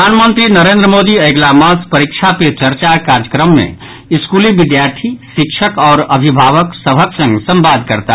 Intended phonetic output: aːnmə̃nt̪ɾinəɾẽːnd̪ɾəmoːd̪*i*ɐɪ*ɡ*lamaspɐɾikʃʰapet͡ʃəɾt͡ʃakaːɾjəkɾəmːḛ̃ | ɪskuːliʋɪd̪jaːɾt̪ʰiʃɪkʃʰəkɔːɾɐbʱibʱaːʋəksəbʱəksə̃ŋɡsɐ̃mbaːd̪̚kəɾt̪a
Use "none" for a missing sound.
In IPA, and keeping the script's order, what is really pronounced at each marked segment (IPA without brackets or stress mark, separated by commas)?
i, ɡ